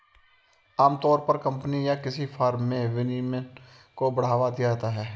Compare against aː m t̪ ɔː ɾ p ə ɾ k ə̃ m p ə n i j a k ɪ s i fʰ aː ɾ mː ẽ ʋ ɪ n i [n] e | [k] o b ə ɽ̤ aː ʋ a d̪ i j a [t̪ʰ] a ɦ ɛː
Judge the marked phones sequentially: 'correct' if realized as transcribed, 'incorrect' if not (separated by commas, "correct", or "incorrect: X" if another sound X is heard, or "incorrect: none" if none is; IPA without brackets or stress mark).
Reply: incorrect: m, correct, incorrect: t̪